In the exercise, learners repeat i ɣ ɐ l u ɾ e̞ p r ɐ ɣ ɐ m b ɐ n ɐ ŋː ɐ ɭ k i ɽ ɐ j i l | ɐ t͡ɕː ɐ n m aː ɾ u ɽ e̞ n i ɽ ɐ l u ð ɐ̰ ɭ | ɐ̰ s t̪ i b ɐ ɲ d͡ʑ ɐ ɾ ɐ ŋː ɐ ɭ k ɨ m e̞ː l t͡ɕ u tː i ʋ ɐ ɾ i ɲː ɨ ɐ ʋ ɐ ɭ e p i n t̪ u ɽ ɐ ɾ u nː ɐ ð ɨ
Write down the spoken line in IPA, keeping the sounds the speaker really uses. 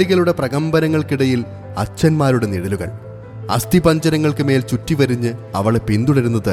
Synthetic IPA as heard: i ɣ ɐ l u ɽ e̞ p r ɐ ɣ ɐ m b ɐ n ɐ ŋː ɐ ɭ k i ɽ ɐ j i l | ɐ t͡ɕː ɐ n m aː ɾ u ɽ e̞ n i ɽ ɐ l u ɣ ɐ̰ ɭ | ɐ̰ s t̪ i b ɐ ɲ d͡ʑ ɐ ɾ ɐ ŋː ɐ ɭ k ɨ m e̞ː l t͡ɕ u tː i ʋ ɐ ɾ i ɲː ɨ ɐ ʋ ɐ ɭ e p i n d̪ u ɽ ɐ ɾ u nː ɐ ð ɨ